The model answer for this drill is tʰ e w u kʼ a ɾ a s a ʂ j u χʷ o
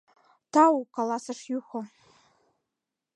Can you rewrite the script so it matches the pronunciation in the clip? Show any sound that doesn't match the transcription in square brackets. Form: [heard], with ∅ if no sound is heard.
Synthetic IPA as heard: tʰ [a] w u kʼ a [l] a s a ʂ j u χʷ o